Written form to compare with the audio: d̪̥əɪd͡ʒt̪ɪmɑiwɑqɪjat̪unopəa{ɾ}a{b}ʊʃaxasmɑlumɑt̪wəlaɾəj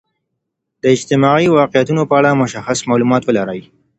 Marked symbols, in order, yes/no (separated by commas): no, no